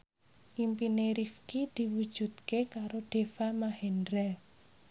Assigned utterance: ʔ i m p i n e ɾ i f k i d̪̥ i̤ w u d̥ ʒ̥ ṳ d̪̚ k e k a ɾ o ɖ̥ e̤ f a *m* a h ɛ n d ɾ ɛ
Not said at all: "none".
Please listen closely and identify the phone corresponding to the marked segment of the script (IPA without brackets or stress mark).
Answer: m